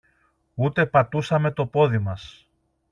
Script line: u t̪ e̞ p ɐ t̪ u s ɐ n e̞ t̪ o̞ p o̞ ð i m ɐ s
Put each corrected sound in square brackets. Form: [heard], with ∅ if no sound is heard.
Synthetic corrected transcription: u t̪ e̞ p ɐ t̪ u s ɐ [m] e̞ t̪ o̞ p o̞ ð i m ɐ s